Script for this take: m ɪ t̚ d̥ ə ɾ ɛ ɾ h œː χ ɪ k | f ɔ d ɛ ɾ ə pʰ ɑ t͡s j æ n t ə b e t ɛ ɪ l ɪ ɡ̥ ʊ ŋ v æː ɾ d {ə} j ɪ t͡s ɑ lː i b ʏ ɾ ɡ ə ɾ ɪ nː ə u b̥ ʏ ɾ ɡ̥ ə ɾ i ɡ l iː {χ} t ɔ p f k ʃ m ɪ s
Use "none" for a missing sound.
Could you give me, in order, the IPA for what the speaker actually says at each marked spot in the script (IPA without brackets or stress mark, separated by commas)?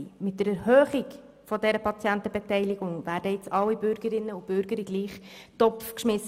ə, χ